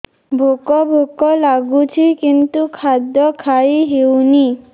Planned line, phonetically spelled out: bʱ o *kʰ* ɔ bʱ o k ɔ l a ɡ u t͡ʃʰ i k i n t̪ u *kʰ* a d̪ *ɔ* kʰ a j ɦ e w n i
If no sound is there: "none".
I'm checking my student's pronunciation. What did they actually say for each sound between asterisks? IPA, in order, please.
k, kʰ, ɔ

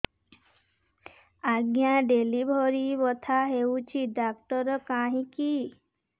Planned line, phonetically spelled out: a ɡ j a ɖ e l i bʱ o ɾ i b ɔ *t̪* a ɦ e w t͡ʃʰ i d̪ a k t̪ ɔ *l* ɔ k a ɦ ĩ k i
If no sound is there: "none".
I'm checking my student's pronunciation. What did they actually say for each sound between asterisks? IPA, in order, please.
t̪ʰ, ɾ

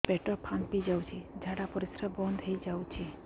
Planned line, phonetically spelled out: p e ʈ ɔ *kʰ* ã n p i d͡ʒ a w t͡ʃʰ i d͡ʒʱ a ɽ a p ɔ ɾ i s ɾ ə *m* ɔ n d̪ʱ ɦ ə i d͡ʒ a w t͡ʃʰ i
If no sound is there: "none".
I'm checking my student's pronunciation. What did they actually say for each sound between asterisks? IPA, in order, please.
pʰ, b

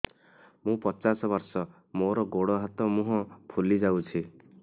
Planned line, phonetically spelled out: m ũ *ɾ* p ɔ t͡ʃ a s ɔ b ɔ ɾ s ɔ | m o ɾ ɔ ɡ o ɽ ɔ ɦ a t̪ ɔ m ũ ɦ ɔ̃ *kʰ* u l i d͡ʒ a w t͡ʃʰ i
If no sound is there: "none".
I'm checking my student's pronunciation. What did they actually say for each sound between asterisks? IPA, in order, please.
none, pʰ

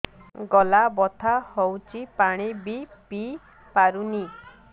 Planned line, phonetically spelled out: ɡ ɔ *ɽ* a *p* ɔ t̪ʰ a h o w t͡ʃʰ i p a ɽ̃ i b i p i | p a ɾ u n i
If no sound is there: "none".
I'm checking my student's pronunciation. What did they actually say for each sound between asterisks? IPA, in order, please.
l, b

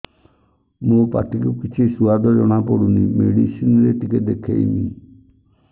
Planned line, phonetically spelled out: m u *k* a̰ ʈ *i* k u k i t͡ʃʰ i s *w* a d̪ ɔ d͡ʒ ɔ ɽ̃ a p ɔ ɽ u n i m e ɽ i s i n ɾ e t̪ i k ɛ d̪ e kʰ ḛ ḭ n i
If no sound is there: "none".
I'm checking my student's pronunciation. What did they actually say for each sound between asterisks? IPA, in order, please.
p, i, u

